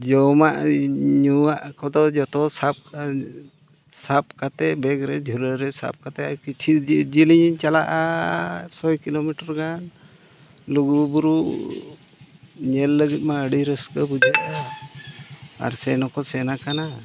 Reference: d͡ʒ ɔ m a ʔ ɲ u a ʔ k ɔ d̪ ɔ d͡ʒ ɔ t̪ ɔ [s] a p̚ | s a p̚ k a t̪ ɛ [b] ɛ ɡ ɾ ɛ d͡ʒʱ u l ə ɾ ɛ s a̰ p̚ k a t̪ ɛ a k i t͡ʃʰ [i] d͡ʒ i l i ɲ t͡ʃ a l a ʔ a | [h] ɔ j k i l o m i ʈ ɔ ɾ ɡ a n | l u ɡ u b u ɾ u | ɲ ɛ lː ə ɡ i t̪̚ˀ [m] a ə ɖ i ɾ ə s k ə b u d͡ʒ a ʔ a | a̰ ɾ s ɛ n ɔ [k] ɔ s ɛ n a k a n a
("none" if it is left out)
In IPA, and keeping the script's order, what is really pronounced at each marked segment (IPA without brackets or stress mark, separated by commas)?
s, b, i, s, m, k